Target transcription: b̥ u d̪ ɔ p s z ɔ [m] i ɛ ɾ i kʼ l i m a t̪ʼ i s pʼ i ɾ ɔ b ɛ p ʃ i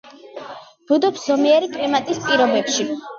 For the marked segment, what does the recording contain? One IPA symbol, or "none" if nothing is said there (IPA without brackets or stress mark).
m